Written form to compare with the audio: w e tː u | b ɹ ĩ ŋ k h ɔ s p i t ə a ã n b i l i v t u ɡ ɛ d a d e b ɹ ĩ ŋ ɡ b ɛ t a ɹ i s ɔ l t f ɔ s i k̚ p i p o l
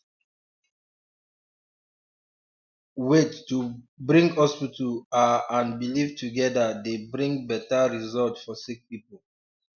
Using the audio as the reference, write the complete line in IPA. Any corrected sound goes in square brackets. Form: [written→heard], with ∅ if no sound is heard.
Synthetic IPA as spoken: w e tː u | b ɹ ĩ ŋ [k→ɡ] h ɔ s p i t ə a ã n b i l i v t u ɡ ɛ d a d e b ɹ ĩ ŋ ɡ b ɛ t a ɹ i [s→z] ɔ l t f ɔ s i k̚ p i p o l